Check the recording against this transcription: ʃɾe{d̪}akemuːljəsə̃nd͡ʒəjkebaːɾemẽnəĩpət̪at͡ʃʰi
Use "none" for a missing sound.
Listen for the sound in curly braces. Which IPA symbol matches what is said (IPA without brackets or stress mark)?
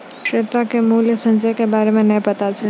t̪